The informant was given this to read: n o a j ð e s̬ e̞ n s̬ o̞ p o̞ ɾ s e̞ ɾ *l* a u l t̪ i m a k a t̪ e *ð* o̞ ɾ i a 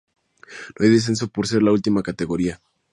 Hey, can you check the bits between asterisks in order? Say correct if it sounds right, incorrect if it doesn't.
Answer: correct, incorrect: ɣ

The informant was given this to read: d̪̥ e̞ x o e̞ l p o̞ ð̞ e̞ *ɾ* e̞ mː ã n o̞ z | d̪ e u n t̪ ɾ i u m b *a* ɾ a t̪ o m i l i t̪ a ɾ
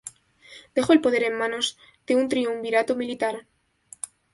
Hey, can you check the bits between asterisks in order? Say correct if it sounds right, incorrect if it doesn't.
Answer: correct, incorrect: i

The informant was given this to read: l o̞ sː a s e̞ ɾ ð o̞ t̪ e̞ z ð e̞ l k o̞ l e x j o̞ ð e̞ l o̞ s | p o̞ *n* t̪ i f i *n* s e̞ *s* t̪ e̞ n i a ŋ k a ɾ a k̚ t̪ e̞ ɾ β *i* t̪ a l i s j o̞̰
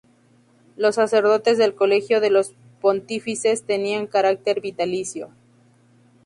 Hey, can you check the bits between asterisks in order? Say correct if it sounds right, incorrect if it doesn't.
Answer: correct, incorrect: none, correct, correct

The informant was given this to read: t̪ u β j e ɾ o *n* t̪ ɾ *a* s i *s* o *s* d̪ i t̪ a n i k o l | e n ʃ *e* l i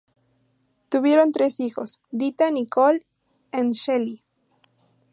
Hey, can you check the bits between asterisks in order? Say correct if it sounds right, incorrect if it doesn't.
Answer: correct, incorrect: e, incorrect: x, correct, correct

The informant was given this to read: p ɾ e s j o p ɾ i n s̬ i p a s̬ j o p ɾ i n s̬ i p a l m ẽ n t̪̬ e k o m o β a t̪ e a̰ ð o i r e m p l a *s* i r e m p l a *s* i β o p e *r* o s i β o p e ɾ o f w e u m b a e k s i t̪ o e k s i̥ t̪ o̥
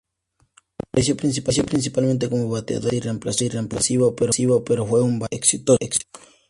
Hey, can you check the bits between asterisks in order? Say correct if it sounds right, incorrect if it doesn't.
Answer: correct, correct, incorrect: ɾ

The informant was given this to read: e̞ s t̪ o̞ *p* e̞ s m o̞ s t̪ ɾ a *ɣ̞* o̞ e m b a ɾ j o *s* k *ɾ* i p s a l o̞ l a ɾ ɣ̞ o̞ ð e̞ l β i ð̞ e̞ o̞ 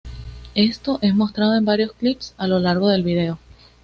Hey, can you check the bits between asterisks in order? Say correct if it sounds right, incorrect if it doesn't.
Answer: incorrect: ʔ, incorrect: ð̞, correct, incorrect: l

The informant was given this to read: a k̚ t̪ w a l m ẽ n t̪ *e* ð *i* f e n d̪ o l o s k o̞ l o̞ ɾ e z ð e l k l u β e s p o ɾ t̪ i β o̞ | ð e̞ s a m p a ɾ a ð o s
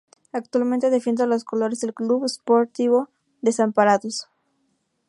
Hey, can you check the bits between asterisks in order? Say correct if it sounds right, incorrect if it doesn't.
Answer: correct, incorrect: e

